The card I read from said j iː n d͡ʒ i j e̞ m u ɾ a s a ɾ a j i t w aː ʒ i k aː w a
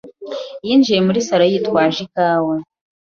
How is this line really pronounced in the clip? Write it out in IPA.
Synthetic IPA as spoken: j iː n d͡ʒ i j e̞ m u ɾ i s a ɾ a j i t w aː ʒ i k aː w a